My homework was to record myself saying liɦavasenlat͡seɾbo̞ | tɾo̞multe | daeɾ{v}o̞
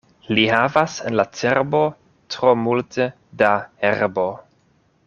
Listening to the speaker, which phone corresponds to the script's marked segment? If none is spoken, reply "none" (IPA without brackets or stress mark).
b